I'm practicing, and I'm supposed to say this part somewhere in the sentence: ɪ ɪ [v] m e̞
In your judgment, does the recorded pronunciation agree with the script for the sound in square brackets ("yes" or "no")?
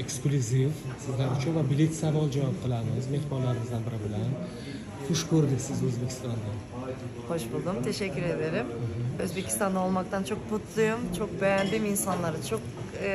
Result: no